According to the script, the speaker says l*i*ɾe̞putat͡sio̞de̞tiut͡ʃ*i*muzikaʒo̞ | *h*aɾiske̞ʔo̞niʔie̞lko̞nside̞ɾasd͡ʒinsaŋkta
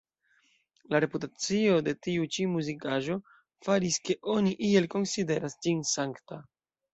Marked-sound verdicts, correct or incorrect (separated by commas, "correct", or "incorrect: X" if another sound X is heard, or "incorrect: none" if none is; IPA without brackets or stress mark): incorrect: a, correct, incorrect: f